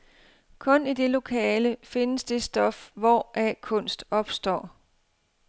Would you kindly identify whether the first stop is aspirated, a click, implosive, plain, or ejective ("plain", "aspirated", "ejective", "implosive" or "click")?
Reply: aspirated